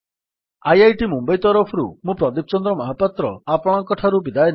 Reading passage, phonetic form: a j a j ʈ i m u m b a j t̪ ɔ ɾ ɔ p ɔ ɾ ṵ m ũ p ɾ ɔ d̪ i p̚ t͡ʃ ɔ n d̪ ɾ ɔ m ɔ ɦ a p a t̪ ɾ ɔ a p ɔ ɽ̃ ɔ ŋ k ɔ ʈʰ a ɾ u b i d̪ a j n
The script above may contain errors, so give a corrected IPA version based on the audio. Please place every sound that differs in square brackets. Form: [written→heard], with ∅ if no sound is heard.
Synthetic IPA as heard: a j a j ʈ i m u m b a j t̪ ɔ ɾ ɔ [p→pʰ] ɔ ɾ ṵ m ũ p ɾ ɔ d̪ i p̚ t͡ʃ ɔ n d̪ ɾ ɔ m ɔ ɦ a p a t̪ ɾ ɔ a p ɔ ɽ̃ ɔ ŋ k ɔ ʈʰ a ɾ u b i d̪ a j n